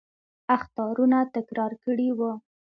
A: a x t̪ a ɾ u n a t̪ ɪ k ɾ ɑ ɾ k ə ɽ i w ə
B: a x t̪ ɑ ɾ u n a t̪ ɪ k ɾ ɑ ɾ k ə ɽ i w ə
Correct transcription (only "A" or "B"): B